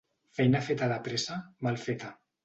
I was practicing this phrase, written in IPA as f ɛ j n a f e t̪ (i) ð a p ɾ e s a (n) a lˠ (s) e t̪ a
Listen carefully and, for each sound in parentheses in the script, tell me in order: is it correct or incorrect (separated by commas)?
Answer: incorrect, incorrect, incorrect